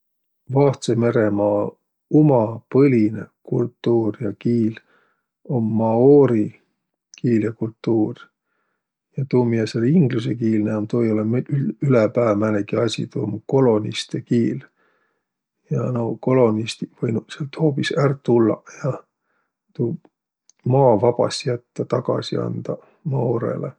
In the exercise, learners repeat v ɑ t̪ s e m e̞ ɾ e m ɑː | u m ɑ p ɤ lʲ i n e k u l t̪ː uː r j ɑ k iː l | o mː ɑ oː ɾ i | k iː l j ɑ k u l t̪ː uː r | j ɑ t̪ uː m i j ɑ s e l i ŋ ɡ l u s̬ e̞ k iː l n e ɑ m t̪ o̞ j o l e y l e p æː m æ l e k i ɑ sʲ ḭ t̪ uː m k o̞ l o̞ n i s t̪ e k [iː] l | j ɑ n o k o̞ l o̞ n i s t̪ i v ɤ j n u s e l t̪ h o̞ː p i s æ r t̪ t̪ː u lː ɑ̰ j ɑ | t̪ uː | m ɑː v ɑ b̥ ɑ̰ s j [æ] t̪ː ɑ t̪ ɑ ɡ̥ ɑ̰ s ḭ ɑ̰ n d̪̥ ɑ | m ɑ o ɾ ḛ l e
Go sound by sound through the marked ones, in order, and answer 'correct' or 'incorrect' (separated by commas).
correct, correct